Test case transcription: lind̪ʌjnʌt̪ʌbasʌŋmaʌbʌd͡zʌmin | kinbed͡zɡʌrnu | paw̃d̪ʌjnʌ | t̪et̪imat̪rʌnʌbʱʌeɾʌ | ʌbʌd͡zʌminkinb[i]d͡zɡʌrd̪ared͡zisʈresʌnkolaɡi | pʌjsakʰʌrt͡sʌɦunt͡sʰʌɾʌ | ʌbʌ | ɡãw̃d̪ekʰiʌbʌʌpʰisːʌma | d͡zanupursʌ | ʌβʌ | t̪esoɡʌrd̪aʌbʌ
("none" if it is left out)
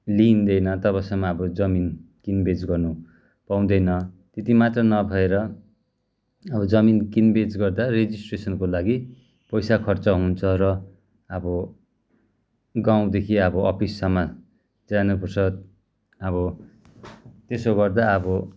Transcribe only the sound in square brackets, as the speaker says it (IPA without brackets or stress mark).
e